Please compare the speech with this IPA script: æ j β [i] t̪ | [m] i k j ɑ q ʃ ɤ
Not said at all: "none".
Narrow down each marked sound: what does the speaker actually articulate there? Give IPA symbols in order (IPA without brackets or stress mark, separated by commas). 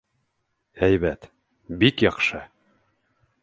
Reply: æ, b